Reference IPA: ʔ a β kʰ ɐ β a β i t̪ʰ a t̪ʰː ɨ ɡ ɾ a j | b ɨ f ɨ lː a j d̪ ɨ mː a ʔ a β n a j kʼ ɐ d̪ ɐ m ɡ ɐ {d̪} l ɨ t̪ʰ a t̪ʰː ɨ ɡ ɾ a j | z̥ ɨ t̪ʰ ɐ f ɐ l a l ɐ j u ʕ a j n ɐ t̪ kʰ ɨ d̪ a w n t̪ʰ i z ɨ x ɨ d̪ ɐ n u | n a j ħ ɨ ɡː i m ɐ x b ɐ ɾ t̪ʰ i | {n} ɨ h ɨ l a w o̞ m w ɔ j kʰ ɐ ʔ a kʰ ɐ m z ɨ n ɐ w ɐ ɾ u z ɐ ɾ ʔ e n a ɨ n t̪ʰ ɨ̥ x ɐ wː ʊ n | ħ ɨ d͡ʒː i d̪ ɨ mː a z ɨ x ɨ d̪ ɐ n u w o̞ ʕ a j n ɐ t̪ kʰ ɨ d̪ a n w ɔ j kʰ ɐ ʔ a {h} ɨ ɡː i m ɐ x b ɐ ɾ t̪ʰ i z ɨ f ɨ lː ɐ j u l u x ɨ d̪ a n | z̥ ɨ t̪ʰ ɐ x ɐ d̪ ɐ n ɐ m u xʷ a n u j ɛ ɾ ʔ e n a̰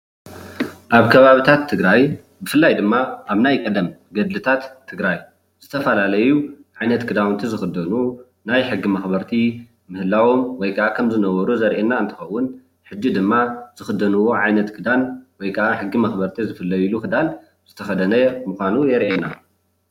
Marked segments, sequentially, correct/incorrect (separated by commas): correct, incorrect, incorrect